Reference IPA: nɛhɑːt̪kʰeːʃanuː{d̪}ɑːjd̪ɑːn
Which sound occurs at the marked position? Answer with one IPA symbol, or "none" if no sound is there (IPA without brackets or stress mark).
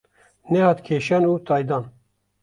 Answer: t̪